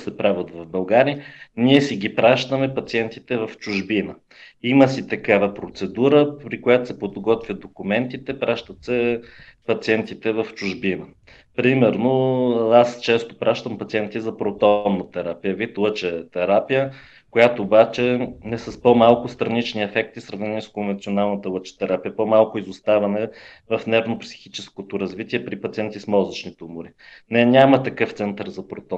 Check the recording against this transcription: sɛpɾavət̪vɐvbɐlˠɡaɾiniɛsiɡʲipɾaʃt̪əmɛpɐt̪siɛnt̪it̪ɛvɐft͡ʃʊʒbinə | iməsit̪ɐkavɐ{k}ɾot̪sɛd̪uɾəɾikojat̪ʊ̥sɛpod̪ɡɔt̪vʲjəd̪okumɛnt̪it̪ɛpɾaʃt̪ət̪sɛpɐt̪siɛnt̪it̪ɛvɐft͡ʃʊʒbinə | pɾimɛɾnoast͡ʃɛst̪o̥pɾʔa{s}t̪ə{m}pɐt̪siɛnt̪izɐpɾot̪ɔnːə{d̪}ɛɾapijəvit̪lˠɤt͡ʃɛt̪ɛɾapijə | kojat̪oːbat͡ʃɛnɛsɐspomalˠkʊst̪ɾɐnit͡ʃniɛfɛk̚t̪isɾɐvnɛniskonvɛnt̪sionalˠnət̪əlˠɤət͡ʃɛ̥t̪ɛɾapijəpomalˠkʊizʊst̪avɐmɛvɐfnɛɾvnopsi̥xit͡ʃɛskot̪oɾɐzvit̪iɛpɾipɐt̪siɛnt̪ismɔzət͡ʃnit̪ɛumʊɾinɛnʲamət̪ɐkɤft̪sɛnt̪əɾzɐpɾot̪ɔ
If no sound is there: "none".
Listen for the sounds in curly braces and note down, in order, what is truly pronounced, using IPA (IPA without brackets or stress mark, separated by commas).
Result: p, ʃ, m, t̪